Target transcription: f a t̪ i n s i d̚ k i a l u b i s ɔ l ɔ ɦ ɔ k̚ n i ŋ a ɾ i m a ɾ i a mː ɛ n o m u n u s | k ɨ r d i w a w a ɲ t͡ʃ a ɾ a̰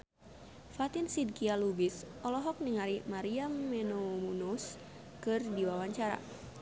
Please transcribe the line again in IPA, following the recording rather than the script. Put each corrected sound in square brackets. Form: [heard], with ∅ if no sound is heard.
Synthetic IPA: f a t̪ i n s i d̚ k i a l u b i s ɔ l ɔ ɦ ɔ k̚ n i ŋ a ɾ i m a ɾ i a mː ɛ n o m u n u s | k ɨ r d i w a w a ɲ t͡ʃ a ɾ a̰